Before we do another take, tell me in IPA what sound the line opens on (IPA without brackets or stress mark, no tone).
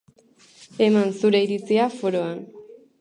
e̞